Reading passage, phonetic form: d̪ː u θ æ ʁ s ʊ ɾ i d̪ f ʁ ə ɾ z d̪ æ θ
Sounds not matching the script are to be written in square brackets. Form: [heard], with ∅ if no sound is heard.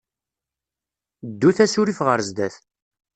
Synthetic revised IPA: d̪ː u θ æ [∅] s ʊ ɾ i [∅] f ʁ ə ɾ z d̪ æ θ